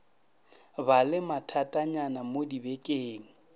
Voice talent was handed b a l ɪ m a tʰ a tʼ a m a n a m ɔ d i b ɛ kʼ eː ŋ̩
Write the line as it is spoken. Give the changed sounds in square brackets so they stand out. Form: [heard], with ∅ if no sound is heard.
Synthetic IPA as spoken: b a l ɪ m a tʰ a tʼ a [ɲ] a n a m [o] d i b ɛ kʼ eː ŋ̩